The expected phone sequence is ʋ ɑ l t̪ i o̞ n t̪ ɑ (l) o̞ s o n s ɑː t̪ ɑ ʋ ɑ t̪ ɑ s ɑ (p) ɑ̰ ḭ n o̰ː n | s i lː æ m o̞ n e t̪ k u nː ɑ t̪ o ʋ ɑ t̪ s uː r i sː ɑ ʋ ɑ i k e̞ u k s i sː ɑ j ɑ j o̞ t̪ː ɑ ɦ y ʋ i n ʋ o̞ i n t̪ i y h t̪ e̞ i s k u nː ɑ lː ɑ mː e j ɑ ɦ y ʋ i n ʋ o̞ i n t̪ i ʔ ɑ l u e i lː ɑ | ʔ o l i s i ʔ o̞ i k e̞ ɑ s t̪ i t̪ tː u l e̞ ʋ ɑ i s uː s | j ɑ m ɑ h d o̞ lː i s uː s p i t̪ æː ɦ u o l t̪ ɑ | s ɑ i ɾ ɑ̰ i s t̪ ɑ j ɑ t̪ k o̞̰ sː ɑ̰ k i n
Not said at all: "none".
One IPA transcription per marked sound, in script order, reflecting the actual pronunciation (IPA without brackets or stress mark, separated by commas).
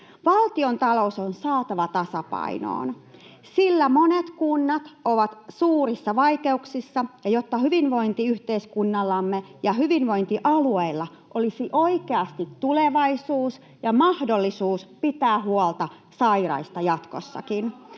l, p